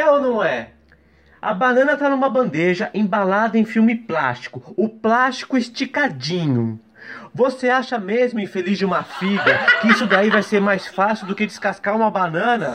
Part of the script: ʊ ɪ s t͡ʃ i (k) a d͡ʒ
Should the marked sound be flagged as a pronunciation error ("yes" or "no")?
no